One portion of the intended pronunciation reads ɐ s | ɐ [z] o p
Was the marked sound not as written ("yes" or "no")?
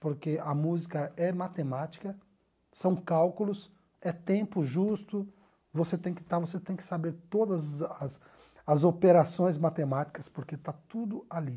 no